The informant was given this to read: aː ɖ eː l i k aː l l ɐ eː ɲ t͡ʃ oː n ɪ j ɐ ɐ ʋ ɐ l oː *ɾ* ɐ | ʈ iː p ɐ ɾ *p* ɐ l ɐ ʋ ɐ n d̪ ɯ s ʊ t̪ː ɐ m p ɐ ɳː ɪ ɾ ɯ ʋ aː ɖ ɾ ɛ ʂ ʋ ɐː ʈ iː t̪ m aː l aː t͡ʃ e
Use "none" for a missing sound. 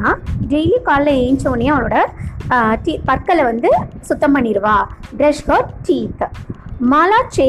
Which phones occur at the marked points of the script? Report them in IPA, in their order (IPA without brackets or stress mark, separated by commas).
ɽ, k